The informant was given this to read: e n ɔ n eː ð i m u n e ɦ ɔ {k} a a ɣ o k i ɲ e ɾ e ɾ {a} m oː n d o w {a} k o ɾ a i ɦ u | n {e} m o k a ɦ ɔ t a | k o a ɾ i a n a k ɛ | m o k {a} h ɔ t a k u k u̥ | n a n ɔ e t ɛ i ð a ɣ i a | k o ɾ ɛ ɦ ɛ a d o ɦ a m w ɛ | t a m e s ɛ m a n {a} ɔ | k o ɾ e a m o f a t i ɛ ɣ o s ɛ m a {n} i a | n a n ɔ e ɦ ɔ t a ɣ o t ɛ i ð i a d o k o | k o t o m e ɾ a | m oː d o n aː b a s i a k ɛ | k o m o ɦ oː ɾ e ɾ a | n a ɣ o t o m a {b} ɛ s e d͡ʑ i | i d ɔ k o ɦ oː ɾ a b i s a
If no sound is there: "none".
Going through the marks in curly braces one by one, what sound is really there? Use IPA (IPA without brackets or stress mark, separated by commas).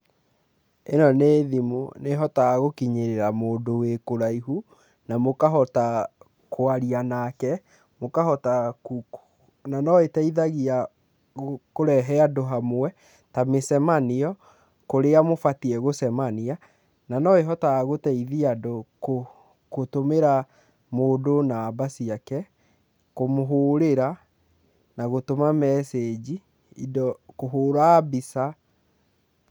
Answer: t, a, e, a, a, i, n, m